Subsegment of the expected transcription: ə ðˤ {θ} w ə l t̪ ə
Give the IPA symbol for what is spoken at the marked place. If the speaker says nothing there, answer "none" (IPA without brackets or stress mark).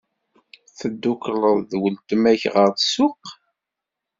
ð